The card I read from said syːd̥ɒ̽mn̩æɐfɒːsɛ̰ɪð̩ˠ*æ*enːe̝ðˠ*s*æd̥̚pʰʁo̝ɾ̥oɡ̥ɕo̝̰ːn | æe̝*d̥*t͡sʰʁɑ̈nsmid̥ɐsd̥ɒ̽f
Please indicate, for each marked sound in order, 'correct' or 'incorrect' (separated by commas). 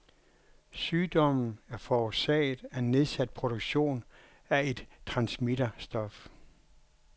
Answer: correct, correct, correct